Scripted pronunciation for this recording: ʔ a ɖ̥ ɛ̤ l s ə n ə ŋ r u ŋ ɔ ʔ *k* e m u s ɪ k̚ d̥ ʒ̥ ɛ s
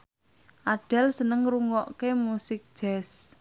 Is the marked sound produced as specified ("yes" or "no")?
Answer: yes